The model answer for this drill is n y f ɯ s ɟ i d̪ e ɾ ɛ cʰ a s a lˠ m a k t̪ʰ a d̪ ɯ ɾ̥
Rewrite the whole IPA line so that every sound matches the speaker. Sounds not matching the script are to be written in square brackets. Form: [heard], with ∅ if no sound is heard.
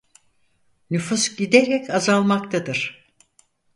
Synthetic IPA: n y f [u] s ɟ i d̪ e ɾ ɛ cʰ a [z] a lˠ m a k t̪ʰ a d̪ ɯ ɾ̥